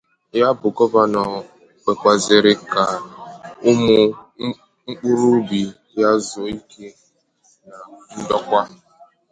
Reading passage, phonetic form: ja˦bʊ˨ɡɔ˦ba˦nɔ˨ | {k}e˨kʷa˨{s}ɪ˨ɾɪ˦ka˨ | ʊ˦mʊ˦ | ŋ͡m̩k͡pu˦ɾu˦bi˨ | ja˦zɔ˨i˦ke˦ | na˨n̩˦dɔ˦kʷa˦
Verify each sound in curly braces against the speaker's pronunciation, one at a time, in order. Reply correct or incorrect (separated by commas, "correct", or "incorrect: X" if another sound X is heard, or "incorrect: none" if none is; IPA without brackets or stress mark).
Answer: incorrect: k͡p, incorrect: z